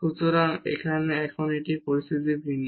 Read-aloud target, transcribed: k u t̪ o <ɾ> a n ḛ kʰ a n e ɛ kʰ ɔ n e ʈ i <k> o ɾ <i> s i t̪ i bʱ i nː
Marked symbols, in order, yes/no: yes, no, yes

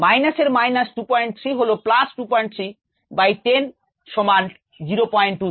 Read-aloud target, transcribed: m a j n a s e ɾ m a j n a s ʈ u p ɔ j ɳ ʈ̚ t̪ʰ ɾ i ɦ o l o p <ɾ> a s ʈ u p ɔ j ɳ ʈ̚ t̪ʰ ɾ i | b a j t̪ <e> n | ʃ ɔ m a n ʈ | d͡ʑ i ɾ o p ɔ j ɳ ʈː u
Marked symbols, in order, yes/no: no, yes

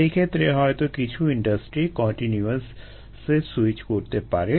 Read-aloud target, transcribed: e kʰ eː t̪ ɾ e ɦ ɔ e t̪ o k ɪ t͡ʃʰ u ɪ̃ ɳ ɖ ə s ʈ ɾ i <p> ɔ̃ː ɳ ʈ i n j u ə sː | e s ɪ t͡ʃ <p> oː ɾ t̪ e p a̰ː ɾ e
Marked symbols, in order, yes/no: no, no

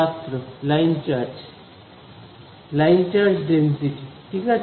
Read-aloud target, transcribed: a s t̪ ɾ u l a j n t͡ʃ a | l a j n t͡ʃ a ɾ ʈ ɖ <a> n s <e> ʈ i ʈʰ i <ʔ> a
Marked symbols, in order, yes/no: no, no, no

